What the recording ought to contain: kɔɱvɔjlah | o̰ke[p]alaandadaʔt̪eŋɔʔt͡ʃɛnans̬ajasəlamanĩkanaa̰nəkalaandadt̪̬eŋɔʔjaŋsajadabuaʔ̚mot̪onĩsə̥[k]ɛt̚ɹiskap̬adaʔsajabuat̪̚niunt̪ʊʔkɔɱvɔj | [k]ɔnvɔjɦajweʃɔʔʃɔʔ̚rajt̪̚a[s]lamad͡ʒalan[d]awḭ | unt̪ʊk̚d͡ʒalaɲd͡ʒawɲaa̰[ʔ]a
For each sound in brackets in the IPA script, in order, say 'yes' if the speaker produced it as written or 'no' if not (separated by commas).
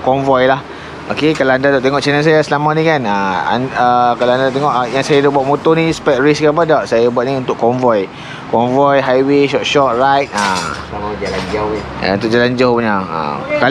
no, no, yes, yes, no, no